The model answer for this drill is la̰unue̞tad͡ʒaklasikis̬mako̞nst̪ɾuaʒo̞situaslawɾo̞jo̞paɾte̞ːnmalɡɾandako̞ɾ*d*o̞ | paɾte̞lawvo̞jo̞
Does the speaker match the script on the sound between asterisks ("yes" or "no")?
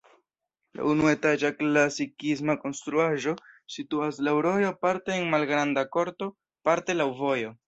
no